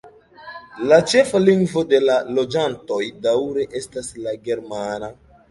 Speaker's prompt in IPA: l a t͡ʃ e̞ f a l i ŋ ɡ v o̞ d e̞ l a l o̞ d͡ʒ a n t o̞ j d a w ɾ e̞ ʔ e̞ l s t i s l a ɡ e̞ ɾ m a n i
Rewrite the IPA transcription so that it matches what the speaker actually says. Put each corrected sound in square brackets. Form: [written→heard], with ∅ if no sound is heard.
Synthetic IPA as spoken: l a t͡ʃ e̞ f a l i ŋ ɡ v o̞ d e̞ l a l o̞ d͡ʒ a n t o̞ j d a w ɾ e̞ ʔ e̞ [l→∅] s t [i→a] s l a ɡ e̞ ɾ m a n [i→a]